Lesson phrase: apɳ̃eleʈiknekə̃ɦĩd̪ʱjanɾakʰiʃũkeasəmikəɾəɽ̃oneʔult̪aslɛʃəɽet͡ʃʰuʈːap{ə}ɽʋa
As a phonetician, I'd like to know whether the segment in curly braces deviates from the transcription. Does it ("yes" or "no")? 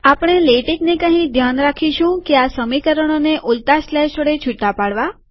yes